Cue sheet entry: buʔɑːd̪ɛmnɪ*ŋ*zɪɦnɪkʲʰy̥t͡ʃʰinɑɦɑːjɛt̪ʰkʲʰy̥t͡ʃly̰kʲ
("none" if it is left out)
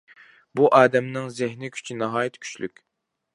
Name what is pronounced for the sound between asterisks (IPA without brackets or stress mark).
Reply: ŋ